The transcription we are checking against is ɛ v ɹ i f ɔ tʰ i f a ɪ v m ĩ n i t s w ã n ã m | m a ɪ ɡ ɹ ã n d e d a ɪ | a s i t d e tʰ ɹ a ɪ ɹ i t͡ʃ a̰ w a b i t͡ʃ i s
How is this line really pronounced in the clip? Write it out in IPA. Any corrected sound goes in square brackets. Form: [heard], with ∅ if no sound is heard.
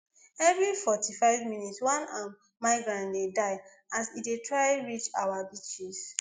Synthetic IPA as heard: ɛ v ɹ i f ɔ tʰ i f a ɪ v m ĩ n i t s w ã n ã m | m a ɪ ɡ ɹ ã n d e d a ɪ | a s i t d e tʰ ɹ a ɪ ɹ i t͡ʃ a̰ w a b i t͡ʃ i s